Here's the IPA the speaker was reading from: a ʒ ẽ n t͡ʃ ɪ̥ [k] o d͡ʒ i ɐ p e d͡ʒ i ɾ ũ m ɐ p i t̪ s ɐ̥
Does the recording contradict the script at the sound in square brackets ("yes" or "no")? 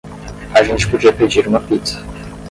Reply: yes